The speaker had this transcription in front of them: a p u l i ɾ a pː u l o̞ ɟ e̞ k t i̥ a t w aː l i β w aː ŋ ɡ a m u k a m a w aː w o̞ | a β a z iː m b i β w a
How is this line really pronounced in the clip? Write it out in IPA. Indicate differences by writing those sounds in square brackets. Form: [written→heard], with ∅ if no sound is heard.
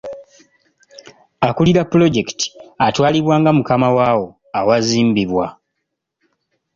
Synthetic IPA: a [p→k] u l i ɾ a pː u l o̞ ɟ e̞ k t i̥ a t w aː l i β w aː ŋ ɡ a m u k a m a w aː w o̞ | a [β→w] a z iː m b i β w a